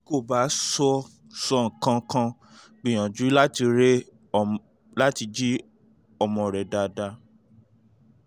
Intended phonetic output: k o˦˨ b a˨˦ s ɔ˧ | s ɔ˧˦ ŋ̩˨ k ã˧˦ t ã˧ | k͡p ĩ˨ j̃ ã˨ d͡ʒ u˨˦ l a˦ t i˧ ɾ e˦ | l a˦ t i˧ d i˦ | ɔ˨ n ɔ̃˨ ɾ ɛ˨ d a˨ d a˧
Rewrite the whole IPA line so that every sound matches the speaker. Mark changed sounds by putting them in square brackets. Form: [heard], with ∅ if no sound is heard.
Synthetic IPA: k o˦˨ b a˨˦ s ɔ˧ | s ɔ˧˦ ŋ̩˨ k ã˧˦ [k] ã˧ | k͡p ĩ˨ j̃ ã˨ d͡ʒ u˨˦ l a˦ t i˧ ɾ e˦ | l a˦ t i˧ [d͡ʒ] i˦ | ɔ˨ [m] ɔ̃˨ ɾ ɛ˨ d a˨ d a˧